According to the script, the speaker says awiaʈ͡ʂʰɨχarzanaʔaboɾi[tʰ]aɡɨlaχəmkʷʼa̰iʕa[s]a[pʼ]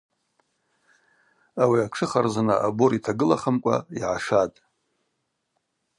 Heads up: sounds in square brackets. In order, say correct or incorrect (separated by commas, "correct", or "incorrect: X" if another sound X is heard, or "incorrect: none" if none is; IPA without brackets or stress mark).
correct, incorrect: ʂ, incorrect: tʼ